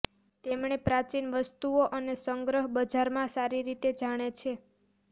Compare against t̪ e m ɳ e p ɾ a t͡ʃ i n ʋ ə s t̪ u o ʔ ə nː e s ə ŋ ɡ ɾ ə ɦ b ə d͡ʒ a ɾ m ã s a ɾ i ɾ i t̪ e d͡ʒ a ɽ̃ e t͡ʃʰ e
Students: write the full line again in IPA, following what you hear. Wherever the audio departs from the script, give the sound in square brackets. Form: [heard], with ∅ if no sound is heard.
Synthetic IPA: t̪ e m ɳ e p ɾ a t͡ʃ i n ʋ ə s t̪ u o ʔ ə [n] e s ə ŋ ɡ ɾ ə ɦ b ə d͡ʒ a ɾ m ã s a ɾ i ɾ i t̪ e d͡ʒ a ɽ̃ e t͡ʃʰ e